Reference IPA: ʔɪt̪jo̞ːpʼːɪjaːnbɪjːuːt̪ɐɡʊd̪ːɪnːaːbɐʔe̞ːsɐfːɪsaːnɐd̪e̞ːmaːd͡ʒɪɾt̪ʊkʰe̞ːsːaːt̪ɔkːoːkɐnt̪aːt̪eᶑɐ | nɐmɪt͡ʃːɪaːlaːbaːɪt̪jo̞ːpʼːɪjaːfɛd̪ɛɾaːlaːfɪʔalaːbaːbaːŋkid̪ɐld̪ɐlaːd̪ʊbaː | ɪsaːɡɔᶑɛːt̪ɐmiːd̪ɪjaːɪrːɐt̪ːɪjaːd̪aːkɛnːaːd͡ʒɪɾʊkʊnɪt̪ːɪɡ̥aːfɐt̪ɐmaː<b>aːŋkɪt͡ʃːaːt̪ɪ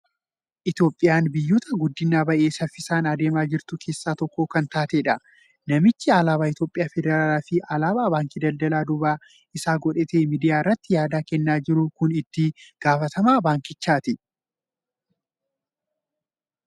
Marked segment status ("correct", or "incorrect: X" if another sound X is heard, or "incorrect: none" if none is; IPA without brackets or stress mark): correct